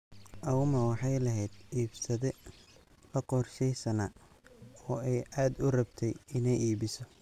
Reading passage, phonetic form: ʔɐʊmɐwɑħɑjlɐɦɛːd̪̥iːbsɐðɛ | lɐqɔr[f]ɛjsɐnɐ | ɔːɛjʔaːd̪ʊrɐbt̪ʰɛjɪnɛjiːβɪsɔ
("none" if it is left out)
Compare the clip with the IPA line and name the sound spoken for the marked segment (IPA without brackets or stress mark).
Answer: ʃ